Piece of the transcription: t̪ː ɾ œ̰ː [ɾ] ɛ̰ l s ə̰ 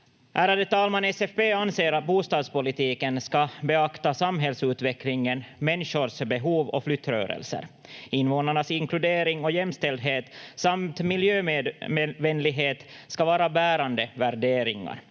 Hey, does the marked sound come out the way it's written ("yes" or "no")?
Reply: yes